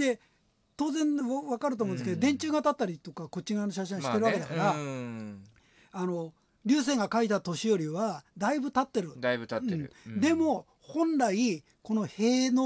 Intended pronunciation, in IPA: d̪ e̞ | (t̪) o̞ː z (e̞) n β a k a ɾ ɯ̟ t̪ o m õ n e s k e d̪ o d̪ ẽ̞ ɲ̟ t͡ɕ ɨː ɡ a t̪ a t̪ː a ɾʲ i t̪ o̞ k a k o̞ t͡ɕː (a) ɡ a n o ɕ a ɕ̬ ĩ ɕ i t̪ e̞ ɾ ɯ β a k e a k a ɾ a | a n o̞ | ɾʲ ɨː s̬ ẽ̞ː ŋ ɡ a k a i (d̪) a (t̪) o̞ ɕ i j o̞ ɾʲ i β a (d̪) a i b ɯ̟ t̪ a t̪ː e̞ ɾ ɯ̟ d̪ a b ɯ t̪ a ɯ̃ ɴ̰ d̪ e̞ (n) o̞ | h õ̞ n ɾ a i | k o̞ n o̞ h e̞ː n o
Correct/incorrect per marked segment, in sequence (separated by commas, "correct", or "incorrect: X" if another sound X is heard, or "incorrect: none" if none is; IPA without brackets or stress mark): correct, incorrect: ẽ̞, incorrect: i, incorrect: t̪, correct, correct, incorrect: m